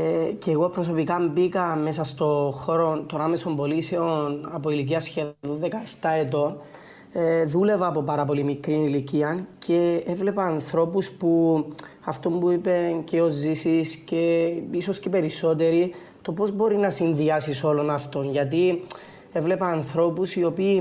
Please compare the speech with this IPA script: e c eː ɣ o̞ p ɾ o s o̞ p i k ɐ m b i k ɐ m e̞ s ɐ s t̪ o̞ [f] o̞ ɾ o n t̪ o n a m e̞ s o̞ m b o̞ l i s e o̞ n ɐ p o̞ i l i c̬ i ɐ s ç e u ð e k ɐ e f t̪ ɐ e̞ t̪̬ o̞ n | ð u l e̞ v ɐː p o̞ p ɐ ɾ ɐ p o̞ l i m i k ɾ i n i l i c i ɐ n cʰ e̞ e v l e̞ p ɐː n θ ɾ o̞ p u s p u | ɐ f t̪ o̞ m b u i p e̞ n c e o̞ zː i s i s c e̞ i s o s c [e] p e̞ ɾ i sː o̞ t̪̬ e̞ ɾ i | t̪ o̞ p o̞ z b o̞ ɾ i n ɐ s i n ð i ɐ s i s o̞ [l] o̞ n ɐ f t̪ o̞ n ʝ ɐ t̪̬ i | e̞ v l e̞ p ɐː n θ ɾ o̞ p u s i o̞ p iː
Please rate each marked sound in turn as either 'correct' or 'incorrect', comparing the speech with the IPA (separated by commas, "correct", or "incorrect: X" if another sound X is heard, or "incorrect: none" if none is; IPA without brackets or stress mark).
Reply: incorrect: x, correct, correct